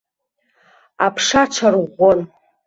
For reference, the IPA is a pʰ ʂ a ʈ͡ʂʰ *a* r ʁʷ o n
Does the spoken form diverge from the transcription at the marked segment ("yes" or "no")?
no